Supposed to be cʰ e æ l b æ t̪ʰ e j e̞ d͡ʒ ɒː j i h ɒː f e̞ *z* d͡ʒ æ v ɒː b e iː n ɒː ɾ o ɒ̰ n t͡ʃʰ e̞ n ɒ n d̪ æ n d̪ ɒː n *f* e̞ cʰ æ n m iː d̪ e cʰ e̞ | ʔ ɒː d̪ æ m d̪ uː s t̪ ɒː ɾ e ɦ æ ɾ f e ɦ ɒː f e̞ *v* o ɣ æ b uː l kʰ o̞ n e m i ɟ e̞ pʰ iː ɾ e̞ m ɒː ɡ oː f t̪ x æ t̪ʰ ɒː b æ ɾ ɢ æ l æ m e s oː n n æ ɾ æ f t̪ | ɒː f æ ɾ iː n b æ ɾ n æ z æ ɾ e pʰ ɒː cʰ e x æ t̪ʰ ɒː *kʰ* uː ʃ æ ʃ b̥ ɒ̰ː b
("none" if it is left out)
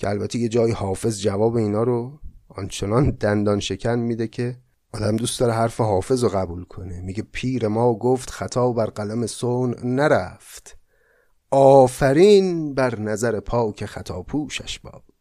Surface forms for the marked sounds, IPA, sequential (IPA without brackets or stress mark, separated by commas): z, ʃ, z, pʰ